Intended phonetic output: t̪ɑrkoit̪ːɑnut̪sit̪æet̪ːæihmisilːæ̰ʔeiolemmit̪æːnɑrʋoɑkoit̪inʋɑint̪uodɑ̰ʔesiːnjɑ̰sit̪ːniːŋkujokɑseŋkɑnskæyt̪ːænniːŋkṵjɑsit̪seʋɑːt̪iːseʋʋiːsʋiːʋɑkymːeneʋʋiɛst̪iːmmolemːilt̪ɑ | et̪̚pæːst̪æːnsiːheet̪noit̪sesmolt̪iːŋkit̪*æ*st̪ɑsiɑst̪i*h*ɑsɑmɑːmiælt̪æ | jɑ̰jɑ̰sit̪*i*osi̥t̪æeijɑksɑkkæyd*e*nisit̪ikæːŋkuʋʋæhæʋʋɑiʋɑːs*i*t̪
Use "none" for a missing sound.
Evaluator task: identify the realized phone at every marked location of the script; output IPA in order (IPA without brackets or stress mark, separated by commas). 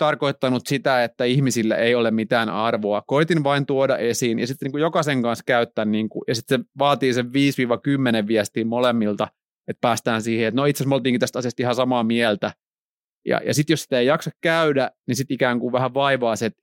æ, h, j, æ, e